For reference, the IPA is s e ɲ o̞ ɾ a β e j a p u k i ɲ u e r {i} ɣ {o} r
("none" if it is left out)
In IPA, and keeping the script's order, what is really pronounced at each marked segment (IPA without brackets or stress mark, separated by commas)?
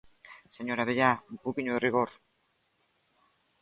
i, o